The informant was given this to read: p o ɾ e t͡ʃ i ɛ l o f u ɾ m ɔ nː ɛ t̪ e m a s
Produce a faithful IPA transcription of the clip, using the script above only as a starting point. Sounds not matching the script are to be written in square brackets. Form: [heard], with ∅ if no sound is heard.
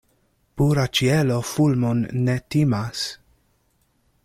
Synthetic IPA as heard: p [u] ɾ [a] t͡ʃ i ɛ l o f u [l] m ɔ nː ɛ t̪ [i] m a s